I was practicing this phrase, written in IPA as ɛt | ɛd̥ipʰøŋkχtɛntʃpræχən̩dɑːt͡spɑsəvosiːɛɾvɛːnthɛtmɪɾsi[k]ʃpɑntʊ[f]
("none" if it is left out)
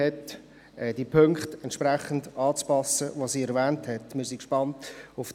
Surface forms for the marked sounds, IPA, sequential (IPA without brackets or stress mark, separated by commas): k, f